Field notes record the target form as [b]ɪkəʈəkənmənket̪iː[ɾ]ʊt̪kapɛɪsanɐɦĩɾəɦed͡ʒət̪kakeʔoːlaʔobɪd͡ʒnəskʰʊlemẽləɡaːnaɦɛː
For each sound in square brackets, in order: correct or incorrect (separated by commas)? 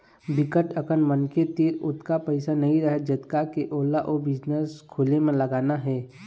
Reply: correct, correct